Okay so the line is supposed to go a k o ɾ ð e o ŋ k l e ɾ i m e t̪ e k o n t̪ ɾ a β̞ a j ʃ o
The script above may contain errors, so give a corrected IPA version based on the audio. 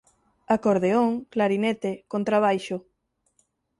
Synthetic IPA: a k o ɾ ð e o ŋ k l a ɾ i n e t̪ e k o n t̪ ɾ a β̞ a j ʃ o